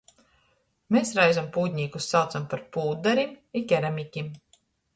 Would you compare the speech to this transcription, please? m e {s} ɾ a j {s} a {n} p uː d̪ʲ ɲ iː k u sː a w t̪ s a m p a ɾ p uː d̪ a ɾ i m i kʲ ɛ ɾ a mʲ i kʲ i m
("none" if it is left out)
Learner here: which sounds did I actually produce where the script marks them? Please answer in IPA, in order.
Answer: s, z, m

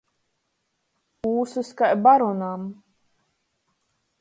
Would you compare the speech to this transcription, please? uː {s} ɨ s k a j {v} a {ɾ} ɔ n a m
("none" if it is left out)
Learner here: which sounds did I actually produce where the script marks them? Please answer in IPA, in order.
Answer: s, b, ɾ

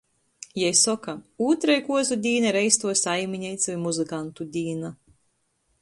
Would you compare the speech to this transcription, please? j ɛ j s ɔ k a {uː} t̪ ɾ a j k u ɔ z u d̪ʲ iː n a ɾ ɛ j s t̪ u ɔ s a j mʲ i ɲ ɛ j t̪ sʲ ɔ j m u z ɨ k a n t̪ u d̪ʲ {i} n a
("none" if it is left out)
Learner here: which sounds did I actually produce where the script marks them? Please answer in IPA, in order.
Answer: uː, iː

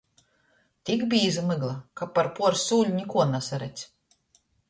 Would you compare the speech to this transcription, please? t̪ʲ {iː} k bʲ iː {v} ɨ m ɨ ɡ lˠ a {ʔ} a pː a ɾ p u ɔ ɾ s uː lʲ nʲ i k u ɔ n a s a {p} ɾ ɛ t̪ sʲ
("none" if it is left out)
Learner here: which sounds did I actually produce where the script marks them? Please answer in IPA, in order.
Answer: i, z, k, none

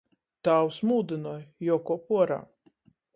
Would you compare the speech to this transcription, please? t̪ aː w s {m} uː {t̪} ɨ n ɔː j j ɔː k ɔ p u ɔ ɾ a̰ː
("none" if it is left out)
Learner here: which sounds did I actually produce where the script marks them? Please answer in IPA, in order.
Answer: m, d̪

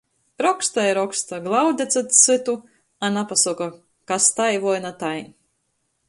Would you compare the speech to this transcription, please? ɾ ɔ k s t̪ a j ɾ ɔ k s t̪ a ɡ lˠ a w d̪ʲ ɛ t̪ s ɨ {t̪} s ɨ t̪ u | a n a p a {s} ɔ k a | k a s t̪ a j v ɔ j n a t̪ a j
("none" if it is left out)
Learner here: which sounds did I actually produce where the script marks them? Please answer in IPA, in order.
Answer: t̪, s

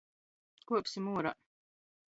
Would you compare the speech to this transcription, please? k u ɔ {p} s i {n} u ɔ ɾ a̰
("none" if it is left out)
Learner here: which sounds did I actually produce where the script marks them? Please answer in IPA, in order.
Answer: p, m

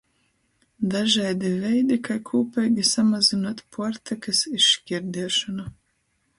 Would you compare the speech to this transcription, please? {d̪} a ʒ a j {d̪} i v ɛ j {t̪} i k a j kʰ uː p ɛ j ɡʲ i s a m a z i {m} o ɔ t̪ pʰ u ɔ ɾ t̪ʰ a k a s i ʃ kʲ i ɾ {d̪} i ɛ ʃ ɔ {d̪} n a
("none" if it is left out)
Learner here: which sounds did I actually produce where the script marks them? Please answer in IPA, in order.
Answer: d̪, d̪, d̪, n, d̪, none

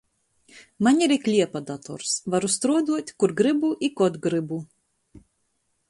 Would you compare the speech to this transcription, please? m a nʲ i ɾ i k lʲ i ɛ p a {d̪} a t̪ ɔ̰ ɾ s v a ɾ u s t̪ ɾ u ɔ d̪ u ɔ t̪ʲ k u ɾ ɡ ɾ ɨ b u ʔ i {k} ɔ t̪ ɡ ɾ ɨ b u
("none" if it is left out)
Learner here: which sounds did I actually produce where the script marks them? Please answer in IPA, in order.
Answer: d̪, k

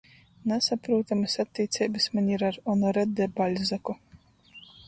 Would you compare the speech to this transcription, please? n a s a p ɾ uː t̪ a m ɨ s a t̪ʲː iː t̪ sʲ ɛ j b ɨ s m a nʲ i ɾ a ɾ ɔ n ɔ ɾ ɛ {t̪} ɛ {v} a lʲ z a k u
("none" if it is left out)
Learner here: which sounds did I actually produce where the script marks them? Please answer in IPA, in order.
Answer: d̪, b

